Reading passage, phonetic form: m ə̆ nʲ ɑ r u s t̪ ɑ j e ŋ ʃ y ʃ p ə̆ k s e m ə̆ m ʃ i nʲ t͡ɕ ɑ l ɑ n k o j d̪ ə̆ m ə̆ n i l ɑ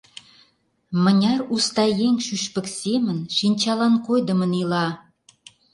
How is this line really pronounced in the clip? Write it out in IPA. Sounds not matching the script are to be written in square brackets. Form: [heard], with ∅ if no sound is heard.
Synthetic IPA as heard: m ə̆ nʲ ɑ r u s t̪ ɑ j e ŋ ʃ y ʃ p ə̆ k s e m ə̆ [n] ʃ i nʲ t͡ɕ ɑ l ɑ n k o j d̪ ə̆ m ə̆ n i l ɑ